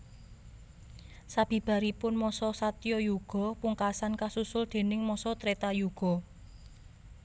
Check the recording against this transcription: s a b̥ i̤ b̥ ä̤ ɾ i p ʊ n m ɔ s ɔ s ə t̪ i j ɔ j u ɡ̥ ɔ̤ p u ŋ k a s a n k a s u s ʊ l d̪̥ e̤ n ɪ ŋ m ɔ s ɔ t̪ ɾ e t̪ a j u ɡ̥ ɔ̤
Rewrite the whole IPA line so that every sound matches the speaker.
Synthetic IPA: s a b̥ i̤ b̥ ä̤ ɾ i p ʊ n m ɔ s ɔ s a t̪ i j ɔ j u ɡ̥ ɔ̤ p u ŋ k a s a n k a s u s ʊ l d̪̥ e̤ n ɪ ŋ m ɔ s ɔ t̪ ɾ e t̪ a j u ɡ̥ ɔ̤